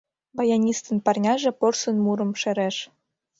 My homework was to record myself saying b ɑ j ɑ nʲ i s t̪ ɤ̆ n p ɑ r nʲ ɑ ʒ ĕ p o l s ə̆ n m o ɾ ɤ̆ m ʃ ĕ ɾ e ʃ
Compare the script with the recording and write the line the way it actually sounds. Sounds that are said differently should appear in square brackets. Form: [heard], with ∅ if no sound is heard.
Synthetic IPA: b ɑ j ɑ nʲ i s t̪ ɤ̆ n p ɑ r nʲ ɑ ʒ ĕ p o [r] s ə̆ n m [u] ɾ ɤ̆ m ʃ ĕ ɾ e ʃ